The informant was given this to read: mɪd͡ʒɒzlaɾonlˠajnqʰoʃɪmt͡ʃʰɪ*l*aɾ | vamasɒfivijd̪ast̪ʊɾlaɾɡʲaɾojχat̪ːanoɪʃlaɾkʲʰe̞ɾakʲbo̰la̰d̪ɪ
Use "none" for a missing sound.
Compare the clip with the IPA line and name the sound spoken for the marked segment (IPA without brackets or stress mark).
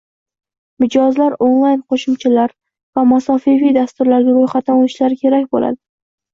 l